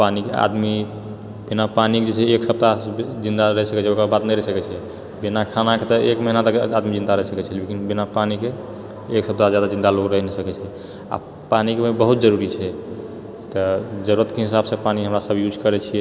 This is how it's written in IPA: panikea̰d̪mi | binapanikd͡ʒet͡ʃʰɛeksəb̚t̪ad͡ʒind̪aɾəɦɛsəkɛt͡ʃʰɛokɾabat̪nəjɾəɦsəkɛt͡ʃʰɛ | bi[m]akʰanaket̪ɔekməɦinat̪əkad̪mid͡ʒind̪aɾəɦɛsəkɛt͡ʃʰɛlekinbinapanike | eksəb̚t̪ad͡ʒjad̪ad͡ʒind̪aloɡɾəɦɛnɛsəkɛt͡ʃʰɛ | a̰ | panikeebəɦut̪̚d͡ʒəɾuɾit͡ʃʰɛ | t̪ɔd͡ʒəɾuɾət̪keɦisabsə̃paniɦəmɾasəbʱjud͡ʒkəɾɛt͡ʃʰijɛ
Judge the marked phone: incorrect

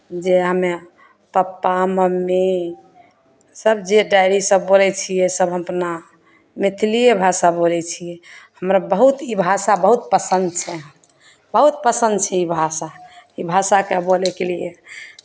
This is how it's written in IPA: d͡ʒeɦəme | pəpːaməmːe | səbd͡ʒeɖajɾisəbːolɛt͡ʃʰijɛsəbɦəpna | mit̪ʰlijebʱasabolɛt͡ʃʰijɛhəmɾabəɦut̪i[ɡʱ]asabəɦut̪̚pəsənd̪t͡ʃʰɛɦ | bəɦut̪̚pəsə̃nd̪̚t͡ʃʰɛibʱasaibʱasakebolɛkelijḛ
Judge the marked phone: incorrect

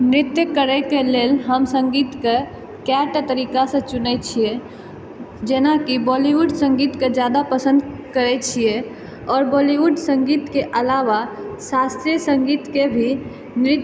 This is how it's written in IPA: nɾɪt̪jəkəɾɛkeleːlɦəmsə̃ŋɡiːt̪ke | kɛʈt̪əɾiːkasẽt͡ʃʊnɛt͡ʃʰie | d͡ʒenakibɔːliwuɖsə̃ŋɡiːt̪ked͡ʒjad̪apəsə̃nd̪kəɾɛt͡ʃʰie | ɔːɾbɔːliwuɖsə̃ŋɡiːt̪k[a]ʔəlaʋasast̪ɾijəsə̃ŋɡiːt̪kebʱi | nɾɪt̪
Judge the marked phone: incorrect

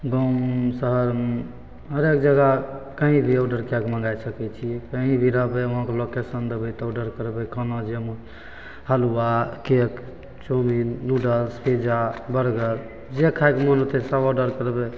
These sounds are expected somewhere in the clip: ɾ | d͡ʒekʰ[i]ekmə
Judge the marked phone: incorrect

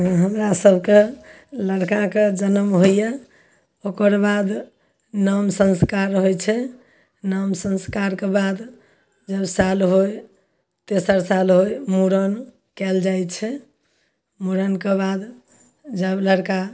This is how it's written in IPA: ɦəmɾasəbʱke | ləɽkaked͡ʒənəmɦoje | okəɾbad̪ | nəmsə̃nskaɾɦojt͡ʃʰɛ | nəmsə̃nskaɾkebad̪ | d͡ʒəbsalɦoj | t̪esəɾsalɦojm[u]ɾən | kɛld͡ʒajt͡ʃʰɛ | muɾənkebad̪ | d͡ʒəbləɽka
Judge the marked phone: correct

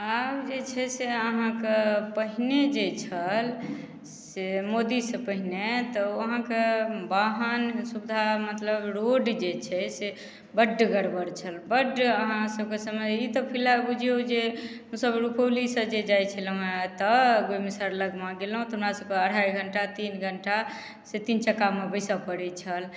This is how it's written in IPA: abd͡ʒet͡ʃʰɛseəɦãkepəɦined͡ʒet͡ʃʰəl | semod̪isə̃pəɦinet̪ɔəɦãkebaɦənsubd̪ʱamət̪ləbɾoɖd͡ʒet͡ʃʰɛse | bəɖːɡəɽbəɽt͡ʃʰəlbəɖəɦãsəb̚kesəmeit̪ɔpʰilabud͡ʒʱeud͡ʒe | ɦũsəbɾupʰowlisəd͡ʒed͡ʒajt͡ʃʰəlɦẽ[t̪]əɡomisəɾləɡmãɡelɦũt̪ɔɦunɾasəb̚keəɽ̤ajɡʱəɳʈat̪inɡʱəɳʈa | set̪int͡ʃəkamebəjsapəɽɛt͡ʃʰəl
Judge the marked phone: correct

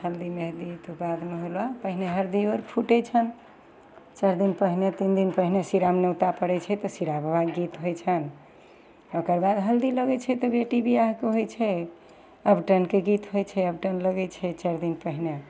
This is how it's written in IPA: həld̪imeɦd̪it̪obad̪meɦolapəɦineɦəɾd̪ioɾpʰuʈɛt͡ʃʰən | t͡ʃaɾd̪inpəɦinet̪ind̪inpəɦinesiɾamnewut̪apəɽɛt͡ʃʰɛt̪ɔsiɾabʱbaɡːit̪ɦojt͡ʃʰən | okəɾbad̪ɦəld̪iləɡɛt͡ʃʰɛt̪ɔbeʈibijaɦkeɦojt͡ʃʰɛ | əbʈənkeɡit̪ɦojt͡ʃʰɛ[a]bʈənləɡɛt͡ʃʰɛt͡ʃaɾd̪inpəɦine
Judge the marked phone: incorrect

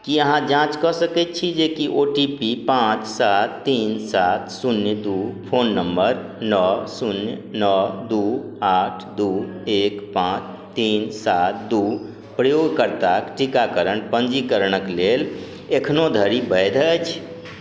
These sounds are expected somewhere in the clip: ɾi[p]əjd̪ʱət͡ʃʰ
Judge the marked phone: incorrect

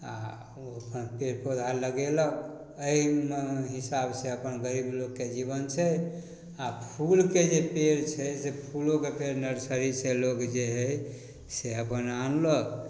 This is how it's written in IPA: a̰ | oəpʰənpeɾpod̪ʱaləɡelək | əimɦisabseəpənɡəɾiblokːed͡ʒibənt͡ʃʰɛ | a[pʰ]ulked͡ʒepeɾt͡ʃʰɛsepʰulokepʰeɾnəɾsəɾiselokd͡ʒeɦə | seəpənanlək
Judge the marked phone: correct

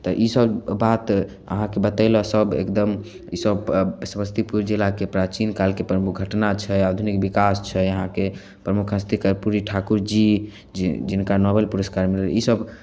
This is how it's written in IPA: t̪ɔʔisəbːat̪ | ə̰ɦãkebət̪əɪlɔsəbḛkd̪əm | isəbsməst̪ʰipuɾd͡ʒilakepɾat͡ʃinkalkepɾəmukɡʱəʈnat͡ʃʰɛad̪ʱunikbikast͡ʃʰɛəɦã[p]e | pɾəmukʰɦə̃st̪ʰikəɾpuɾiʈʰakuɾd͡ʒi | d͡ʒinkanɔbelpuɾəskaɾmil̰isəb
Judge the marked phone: incorrect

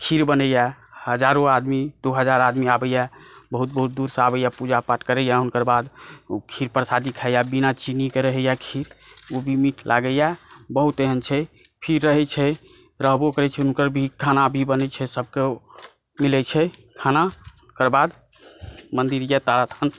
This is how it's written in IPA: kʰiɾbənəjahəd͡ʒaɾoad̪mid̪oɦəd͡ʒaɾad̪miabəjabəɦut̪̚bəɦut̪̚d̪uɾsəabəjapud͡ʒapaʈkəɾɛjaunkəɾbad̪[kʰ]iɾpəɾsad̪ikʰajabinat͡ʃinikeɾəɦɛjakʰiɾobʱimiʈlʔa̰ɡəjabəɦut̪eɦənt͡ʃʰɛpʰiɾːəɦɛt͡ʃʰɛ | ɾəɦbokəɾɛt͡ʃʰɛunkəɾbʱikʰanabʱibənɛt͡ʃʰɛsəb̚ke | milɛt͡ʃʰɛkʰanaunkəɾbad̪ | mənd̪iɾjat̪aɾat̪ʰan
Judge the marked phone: correct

